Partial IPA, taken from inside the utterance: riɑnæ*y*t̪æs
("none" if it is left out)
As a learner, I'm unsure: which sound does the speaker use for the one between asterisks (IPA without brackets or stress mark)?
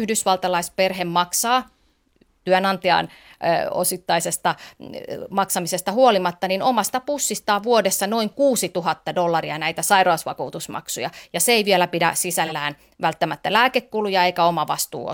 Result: i